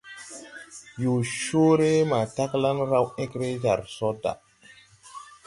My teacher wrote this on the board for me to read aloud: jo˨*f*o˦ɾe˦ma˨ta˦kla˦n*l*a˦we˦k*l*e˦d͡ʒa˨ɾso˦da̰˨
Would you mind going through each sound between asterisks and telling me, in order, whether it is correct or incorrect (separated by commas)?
incorrect, incorrect, incorrect